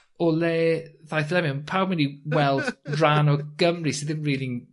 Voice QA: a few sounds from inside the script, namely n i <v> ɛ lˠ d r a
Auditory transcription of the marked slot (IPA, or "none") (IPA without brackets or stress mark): w